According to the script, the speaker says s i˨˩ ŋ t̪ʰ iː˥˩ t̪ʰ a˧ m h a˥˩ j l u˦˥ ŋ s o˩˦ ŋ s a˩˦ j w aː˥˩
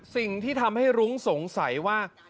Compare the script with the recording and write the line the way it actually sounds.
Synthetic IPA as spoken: s i˨˩ ŋ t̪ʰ iː˥˩ t̪ʰ a˧ m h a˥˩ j ɾ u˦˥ ŋ s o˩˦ ŋ s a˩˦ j w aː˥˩